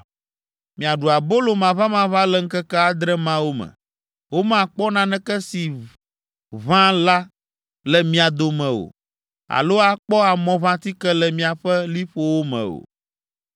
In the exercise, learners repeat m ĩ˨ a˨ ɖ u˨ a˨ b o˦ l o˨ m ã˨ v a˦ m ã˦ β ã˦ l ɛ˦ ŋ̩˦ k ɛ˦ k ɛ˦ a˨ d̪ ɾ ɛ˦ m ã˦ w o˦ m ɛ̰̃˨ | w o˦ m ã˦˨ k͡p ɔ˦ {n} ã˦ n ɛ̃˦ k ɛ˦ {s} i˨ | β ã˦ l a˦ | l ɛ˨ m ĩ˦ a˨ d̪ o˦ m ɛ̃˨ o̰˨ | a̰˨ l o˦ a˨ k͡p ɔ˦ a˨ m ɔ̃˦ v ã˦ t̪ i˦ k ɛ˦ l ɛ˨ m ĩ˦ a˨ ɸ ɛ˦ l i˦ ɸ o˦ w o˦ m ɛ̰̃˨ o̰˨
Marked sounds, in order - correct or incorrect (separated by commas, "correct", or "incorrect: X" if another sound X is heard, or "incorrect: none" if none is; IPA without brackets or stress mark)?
correct, correct